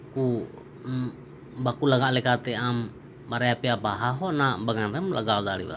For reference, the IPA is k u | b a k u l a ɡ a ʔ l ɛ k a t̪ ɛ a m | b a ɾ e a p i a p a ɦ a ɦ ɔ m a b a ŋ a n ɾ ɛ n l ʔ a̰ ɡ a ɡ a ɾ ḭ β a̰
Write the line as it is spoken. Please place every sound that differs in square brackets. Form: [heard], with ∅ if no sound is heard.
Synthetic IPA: k u | b a k u l a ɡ a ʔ l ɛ k a t̪ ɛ a m | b a ɾ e a p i a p a ɦ a ɦ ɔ [n] a b a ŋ a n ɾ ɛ [m] l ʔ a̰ ɡ a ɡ a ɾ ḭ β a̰